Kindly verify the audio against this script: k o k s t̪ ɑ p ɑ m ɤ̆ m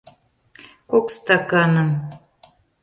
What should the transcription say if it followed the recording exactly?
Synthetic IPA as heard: k o k s t̪ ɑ k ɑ n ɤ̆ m